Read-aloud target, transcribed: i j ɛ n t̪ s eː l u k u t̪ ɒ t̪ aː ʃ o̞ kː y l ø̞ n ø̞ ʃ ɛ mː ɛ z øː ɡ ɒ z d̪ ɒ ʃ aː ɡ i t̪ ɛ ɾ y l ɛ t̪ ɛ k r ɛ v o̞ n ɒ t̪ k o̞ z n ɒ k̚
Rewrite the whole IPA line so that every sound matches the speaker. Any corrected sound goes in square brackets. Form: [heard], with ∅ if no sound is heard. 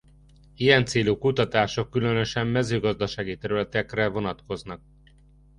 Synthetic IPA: i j ɛ n t̪ s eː l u k u t̪ ɒ t̪ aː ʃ o̞ kː y l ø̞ n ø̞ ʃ ɛ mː ɛ z øː ɡ ɒ z d̪ ɒ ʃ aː ɡ i t̪ ɛ ɾ y l ɛ t̪ ɛ k r ɛ v o̞ n ɒ t̪ k o̞ z n ɒ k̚